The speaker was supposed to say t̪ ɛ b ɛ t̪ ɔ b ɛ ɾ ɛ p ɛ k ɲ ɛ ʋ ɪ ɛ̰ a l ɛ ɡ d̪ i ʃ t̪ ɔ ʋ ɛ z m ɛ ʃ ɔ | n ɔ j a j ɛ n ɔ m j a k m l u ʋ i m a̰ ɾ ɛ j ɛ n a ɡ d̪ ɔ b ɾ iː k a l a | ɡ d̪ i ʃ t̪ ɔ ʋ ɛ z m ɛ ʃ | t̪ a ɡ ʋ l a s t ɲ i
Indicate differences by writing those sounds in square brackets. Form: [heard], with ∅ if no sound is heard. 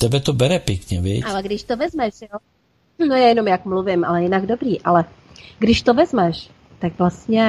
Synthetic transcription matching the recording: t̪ ɛ b ɛ t̪ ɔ b ɛ ɾ ɛ p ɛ k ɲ ɛ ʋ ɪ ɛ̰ a l ɛ ɡ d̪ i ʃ t̪ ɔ ʋ ɛ z m ɛ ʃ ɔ | n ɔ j a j ɛ n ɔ m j a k m l u ʋ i m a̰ [l] ɛ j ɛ n a ɡ d̪ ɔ b ɾ iː [ʔ] a l [ɛ] | ɡ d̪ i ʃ t̪ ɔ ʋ ɛ z m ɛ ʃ | t̪ a ɡ ʋ l a s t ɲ [ɛ]